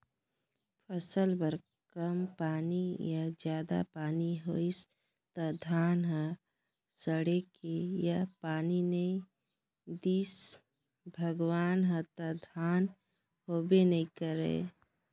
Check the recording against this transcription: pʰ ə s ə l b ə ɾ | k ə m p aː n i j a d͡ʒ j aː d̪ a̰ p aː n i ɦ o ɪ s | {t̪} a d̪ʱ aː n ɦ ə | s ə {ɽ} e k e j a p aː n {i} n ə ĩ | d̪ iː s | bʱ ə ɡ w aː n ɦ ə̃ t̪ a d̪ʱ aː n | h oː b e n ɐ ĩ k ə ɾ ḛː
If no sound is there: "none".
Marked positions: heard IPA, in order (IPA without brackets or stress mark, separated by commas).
t̪, ɽ, i